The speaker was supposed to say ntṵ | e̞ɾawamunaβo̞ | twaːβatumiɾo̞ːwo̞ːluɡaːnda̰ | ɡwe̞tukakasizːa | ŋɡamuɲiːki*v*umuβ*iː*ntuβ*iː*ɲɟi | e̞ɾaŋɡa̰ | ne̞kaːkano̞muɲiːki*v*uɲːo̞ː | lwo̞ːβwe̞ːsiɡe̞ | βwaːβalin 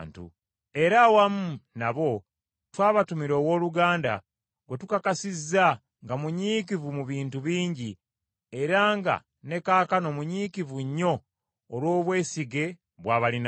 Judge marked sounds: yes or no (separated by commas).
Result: yes, yes, yes, yes